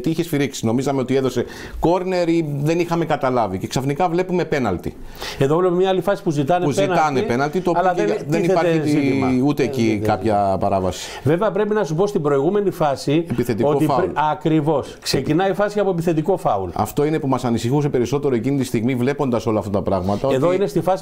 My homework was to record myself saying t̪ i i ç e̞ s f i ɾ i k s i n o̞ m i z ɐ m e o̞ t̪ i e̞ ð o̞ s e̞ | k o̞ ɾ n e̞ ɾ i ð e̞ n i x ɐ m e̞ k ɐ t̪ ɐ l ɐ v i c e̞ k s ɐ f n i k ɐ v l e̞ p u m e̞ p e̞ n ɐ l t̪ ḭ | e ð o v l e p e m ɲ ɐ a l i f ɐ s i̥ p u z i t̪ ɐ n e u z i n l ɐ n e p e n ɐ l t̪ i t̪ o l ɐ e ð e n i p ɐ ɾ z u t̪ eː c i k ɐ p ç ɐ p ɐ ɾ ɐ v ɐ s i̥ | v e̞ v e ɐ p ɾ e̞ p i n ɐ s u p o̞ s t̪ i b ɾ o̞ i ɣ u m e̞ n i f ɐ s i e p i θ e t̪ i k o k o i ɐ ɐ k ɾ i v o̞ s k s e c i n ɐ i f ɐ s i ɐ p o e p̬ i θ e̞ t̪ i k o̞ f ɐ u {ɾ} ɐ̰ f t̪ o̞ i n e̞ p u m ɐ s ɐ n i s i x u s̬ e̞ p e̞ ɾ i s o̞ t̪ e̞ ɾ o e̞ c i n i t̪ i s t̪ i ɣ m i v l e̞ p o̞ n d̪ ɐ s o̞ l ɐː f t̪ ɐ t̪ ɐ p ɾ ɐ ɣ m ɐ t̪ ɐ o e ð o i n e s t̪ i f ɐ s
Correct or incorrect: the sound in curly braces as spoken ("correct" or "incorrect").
incorrect